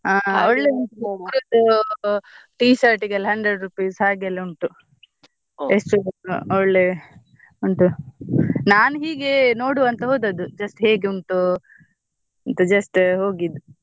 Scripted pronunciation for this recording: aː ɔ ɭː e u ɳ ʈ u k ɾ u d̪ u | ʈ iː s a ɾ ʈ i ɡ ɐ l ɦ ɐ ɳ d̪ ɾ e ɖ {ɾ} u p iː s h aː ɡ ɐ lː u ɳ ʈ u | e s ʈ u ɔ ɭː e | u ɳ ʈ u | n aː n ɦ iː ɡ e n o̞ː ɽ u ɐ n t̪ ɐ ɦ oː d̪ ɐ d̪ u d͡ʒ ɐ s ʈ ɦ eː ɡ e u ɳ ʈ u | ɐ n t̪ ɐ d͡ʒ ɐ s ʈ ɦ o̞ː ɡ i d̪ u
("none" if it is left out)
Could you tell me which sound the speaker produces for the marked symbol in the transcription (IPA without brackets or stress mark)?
ɾ